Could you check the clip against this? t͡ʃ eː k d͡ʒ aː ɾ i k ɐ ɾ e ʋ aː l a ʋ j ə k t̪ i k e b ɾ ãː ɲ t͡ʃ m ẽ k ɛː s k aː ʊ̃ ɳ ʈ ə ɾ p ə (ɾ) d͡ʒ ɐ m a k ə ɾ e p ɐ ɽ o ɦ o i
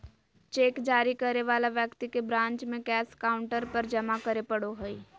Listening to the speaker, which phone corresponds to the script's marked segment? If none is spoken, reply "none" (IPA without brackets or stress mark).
ɾ